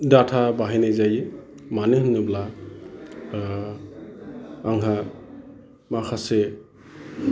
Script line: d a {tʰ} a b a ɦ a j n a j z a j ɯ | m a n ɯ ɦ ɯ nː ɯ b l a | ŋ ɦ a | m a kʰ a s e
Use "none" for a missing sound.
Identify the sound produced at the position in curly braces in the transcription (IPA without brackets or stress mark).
tʰ